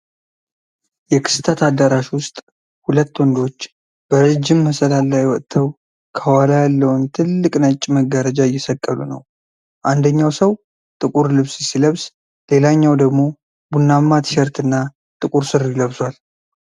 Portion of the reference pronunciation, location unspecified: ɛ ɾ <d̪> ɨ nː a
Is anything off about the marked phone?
yes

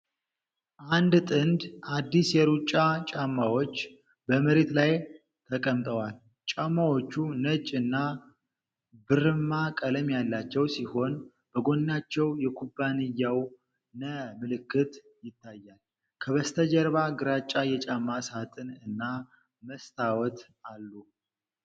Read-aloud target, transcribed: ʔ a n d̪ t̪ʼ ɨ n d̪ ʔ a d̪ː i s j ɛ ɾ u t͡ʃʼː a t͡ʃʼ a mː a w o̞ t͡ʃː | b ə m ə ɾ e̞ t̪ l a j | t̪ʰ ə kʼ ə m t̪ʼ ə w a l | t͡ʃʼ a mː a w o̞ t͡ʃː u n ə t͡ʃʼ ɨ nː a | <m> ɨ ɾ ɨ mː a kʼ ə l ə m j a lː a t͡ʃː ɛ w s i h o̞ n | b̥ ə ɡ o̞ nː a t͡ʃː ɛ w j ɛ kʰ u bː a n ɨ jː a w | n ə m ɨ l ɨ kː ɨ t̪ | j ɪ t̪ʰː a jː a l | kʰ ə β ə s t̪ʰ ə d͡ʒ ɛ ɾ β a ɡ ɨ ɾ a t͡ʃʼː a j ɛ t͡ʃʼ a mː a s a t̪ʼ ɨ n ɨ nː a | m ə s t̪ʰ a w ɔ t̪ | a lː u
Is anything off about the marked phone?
yes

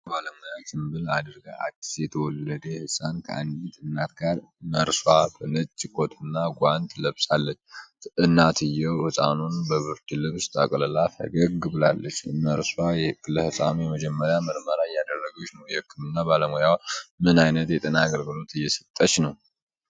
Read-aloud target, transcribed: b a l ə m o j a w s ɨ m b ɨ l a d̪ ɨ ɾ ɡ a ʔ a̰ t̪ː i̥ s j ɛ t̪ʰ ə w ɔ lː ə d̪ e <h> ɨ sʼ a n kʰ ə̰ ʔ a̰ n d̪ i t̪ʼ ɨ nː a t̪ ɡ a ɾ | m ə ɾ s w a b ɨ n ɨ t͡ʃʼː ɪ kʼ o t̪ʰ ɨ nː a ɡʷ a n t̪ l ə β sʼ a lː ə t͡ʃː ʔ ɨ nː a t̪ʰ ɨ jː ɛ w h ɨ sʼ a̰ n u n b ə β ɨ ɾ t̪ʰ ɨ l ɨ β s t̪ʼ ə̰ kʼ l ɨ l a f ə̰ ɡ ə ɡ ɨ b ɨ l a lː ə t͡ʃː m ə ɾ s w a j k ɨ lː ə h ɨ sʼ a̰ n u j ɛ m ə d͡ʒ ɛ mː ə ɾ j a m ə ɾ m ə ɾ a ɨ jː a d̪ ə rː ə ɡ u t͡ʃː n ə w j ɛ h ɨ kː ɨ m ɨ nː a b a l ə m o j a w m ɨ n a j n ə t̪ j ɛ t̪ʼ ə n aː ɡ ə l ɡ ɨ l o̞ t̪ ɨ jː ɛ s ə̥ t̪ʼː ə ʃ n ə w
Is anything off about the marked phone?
no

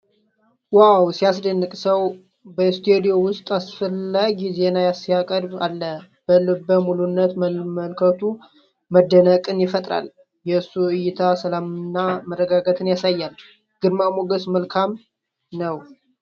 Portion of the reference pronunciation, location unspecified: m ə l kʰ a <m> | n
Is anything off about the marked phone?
no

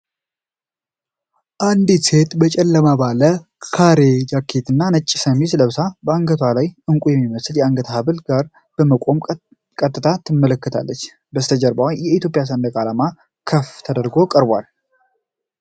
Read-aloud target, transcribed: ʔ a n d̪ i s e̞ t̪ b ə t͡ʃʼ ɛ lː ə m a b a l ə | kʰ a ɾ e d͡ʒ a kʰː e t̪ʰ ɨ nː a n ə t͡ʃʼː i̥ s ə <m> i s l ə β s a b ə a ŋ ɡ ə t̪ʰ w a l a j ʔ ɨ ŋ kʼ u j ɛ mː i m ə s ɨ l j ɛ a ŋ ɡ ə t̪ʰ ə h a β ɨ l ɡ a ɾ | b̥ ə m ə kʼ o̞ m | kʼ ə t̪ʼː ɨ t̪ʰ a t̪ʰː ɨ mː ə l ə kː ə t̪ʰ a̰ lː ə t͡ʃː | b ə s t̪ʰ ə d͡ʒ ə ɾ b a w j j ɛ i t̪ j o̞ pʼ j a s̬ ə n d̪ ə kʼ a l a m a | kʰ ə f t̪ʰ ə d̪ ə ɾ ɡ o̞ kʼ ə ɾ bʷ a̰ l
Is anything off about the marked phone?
no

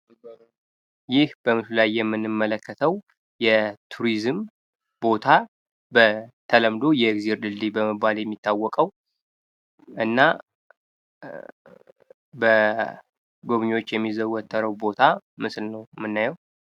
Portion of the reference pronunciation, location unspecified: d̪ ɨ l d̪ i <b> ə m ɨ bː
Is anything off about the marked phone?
no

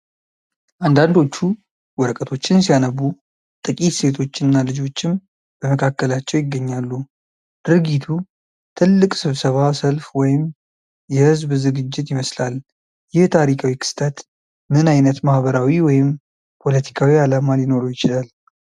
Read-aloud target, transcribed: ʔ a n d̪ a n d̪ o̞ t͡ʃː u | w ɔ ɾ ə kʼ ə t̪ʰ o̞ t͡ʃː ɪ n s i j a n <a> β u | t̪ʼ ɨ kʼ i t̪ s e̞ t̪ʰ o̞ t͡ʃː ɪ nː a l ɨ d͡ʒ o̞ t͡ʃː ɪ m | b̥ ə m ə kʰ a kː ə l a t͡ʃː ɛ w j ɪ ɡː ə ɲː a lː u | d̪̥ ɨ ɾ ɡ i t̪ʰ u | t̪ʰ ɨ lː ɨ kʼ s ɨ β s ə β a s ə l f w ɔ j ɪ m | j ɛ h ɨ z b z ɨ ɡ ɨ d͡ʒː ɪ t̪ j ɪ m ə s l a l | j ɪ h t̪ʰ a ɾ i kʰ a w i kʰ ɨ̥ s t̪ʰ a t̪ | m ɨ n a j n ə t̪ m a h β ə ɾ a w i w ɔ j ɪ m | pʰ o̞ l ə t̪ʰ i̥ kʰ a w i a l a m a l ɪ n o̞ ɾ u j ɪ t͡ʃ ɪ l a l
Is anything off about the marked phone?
yes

